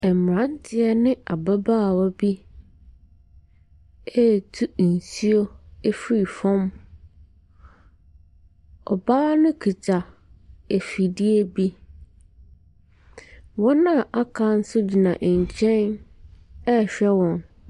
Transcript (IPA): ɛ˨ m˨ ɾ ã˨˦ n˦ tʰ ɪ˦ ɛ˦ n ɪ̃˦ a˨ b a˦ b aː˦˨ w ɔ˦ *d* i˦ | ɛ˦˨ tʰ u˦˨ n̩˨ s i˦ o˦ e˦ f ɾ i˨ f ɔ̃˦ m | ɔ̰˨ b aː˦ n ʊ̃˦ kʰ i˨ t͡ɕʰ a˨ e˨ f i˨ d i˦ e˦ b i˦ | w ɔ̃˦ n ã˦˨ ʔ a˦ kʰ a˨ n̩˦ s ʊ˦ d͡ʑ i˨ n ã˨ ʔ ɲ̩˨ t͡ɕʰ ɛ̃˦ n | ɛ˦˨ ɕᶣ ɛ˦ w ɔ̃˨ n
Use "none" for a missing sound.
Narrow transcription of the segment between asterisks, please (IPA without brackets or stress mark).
b